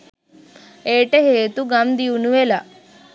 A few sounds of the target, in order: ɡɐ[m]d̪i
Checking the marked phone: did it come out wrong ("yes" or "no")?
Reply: no